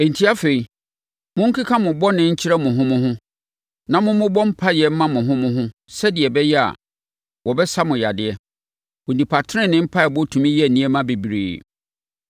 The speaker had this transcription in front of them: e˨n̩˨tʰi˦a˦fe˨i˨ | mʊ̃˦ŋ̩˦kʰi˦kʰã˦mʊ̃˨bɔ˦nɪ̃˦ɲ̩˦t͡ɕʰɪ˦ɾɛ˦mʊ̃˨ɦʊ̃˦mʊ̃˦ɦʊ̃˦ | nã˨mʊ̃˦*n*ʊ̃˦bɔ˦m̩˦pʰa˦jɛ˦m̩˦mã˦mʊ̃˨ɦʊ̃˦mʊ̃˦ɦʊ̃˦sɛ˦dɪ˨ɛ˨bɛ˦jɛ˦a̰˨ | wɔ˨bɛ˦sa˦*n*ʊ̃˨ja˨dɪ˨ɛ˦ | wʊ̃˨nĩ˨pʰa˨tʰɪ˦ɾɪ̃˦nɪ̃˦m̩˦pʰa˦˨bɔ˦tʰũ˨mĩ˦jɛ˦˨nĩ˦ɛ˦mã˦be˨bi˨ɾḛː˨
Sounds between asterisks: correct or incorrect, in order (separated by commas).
incorrect, incorrect